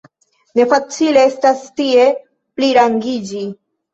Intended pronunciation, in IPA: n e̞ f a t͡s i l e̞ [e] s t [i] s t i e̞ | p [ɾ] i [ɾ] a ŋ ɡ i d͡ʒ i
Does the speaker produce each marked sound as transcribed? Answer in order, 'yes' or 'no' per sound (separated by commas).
yes, no, no, yes